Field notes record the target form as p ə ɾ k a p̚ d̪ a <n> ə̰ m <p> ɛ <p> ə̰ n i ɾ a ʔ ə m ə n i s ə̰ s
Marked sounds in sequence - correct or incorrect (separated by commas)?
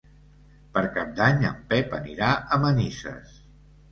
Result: incorrect, correct, correct